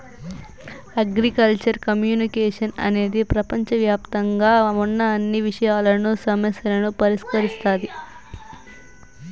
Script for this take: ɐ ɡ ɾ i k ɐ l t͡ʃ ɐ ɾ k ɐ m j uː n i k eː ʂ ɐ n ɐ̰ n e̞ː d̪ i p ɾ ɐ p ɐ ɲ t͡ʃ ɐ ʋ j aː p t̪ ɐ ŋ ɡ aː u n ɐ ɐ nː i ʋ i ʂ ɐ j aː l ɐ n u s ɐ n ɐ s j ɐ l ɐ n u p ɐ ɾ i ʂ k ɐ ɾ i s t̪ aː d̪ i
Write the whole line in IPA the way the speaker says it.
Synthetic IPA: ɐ ɡ ɾ i k ɐ l t͡ʃ ɐ ɾ k ɐ m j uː n i k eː ʂ ɐ n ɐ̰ n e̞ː d̪ i p ɾ ɐ p ɐ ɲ t͡ʃ ɐ ʋ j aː p t̪ ɐ ŋ ɡ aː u nː ɐ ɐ nː i ʋ i ʂ ɐ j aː l ɐ n u s ɐ m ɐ s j ɐ l ɐ n u p ɐ ɾ i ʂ k ɐ ɾ i s t̪ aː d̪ i